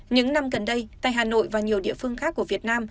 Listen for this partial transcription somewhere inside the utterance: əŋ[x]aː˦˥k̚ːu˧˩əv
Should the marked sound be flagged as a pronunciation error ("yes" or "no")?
no